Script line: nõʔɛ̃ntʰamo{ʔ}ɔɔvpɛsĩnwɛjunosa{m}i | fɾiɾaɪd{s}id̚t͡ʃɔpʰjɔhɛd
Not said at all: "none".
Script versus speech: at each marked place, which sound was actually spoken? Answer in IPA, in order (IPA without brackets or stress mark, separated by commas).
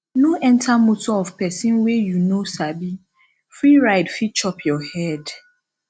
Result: t, b, f